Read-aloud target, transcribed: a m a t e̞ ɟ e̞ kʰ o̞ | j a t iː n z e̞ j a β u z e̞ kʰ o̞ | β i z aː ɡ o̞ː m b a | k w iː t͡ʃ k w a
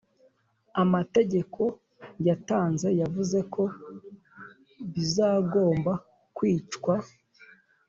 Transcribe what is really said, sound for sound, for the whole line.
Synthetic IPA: a m a t e̞ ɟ e̞ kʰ o̞ | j a t aː n z e̞ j a v u z e̞ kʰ o̞ | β i z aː ɡ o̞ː m b a | k w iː t͡ʃ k w a